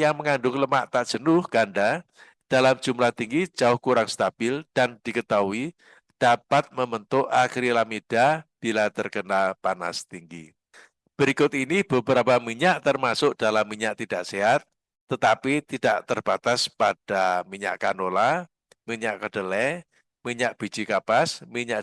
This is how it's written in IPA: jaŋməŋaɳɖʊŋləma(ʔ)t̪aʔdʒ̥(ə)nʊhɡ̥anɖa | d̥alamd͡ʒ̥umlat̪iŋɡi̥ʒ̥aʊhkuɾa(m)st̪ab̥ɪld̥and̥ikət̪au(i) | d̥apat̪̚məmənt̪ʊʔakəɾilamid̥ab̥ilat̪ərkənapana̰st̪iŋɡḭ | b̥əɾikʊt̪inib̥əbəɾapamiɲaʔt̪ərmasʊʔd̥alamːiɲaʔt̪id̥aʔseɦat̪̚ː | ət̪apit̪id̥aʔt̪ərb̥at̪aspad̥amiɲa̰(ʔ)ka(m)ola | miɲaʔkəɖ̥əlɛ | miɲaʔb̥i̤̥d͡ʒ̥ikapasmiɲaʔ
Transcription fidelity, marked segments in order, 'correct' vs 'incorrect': correct, correct, incorrect: ŋ, correct, correct, incorrect: n

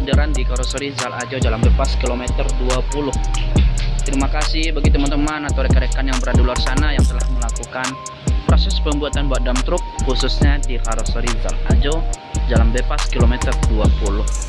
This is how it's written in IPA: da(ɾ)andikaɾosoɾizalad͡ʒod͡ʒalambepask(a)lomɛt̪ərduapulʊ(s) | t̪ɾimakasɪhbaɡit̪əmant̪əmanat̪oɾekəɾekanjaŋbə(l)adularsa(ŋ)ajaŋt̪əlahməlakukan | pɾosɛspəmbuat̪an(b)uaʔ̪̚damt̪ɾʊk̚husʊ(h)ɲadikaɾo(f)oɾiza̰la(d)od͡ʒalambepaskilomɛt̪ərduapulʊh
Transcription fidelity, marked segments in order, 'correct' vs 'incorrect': correct, incorrect: i, incorrect: h, incorrect: ɾ, incorrect: n, correct, incorrect: s, incorrect: s, incorrect: d͡ʒ

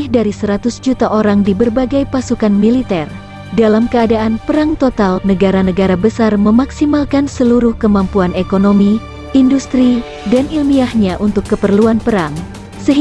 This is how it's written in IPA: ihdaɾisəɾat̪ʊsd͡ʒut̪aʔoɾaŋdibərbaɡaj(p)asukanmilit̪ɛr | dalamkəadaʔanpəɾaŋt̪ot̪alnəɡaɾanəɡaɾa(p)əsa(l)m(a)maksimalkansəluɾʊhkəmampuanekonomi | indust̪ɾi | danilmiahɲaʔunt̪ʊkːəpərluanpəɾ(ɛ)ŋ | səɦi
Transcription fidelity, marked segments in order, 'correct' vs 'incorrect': correct, incorrect: b, incorrect: r, incorrect: ə, incorrect: a

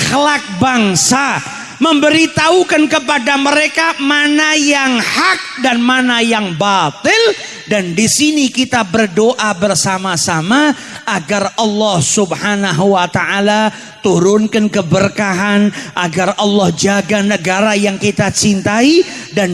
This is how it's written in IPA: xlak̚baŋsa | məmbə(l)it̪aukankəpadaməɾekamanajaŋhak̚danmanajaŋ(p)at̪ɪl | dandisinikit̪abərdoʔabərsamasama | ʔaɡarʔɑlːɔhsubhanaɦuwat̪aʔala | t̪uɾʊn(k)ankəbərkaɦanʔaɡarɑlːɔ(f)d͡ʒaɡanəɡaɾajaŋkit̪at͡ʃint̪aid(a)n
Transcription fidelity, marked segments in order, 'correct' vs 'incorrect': incorrect: ɾ, incorrect: b, correct, incorrect: h, correct

